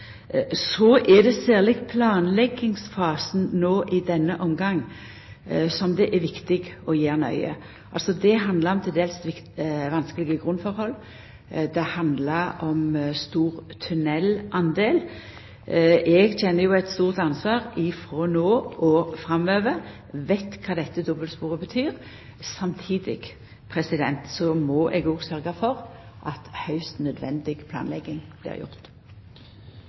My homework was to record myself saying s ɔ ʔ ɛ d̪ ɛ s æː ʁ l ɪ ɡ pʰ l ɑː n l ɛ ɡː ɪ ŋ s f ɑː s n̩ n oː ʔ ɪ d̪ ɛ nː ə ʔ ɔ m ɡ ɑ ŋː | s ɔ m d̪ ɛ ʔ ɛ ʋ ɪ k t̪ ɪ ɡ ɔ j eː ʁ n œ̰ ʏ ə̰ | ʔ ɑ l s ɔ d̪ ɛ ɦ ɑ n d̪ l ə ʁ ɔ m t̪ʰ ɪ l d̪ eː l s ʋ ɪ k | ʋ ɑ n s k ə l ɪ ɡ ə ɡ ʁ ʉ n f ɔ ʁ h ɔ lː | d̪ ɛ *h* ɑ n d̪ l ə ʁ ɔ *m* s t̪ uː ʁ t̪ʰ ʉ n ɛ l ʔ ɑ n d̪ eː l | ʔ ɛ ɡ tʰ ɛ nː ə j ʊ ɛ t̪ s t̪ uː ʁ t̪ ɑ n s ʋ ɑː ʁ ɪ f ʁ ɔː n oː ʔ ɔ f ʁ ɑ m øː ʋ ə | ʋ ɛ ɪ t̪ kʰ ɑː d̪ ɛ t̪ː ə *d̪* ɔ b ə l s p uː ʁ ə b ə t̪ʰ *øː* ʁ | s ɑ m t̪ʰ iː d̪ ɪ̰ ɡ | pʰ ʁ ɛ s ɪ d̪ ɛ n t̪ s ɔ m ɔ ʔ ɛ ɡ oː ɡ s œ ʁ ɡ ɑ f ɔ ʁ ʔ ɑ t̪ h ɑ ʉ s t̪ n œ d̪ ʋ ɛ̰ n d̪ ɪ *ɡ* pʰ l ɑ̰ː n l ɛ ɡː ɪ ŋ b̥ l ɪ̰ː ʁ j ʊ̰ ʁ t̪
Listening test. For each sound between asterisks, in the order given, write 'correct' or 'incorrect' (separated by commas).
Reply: correct, correct, correct, incorrect, correct